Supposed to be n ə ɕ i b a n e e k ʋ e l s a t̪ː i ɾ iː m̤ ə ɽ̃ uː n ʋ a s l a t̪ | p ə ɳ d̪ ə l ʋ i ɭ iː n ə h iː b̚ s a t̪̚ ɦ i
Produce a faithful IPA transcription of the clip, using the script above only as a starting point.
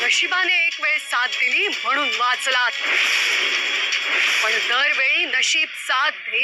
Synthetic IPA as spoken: n ə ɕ i b a n e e k ʋ e ɭ s a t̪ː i l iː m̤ ə ɽ̃ uː n ʋ a t͡s l a t̪ | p ə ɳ d̪ ə ɾ ʋ e ɭ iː n ə ɕ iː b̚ s a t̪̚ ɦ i

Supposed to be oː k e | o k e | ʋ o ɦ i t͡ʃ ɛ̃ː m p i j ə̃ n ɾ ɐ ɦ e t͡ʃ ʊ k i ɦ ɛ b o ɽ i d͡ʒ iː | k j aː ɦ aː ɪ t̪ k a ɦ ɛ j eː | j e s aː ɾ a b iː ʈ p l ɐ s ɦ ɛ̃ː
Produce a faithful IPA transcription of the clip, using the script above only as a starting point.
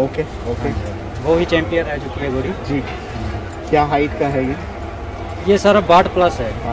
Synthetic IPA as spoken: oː k e | o k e | ʋ o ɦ i t͡ʃ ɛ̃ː m p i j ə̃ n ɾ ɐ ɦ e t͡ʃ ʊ k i ɦ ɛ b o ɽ i d͡ʒ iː | k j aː ɦ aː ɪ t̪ k a ɦ ɛ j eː | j e s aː ɾ a b aː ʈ p l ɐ s ɦ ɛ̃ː

